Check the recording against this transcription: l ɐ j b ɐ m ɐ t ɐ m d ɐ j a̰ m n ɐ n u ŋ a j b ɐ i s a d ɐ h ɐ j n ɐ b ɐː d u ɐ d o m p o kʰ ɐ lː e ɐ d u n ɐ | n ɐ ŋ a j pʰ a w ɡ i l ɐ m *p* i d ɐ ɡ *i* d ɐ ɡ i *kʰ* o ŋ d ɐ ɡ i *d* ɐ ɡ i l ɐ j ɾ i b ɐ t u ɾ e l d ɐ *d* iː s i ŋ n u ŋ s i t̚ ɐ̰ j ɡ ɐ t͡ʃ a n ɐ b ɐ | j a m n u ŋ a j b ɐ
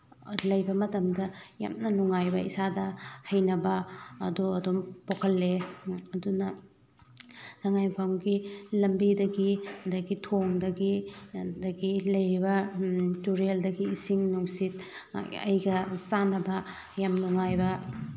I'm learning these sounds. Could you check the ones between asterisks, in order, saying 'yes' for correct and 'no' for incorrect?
no, yes, no, yes, no

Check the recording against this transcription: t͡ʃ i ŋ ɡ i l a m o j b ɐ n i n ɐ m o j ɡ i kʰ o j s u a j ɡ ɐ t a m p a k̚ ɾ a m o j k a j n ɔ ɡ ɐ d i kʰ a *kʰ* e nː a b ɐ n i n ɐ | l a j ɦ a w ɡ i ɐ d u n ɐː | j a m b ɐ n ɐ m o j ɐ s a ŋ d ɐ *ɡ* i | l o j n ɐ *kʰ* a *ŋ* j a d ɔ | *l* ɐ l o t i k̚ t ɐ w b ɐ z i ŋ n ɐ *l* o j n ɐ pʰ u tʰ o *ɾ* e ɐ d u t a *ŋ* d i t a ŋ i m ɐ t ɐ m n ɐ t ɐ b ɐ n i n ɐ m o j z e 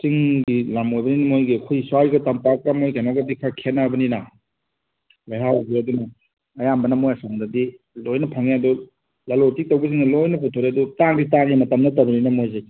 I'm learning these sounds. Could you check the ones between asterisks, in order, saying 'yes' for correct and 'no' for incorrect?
yes, no, no, yes, yes, yes, yes, yes

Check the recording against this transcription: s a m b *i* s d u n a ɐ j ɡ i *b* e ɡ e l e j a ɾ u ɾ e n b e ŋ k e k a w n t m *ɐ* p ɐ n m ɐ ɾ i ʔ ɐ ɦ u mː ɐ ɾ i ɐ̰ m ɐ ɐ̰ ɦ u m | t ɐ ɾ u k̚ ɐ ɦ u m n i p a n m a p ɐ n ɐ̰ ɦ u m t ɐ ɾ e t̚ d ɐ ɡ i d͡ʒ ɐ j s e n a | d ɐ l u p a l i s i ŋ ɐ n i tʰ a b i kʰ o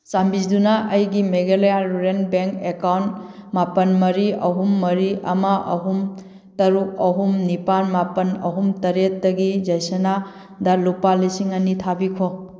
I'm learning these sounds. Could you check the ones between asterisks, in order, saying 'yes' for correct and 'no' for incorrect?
yes, no, no

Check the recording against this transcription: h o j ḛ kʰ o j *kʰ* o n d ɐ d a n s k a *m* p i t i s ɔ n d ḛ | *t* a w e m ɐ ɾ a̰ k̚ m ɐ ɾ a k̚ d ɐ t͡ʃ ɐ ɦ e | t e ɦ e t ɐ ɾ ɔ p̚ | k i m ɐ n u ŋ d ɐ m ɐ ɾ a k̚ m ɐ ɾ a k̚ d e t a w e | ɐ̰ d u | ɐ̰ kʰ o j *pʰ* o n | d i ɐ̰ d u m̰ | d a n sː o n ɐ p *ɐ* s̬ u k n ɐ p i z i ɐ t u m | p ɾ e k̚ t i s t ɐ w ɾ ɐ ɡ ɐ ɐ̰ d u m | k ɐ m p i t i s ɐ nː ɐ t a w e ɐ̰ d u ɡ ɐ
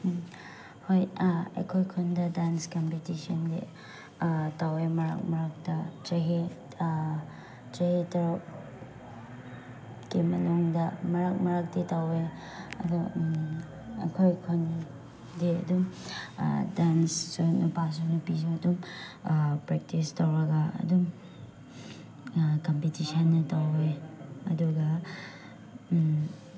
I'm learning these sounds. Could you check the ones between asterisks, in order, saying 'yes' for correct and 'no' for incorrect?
yes, yes, yes, no, no

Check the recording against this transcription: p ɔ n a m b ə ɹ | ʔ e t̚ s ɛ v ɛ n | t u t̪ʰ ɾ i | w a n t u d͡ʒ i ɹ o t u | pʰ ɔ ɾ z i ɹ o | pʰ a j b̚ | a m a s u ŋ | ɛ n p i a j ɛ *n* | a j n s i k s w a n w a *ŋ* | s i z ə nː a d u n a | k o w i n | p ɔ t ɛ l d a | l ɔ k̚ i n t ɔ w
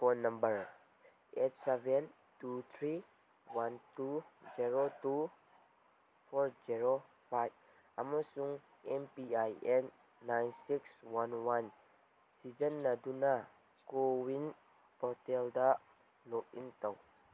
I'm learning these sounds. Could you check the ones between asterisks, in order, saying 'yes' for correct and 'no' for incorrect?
no, no

